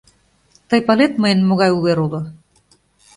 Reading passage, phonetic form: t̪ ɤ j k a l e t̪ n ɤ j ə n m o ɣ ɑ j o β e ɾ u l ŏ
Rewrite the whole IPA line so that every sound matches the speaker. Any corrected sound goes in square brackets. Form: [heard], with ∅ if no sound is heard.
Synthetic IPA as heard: t̪ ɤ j [p] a l e t̪ [m] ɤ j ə n m o ɣ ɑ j [u] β e ɾ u l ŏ